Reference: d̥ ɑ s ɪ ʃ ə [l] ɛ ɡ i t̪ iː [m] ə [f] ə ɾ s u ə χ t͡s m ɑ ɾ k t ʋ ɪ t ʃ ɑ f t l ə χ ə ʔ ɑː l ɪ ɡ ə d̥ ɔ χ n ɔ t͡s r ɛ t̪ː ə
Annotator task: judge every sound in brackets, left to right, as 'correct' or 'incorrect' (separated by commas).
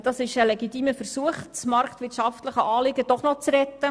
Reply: correct, correct, correct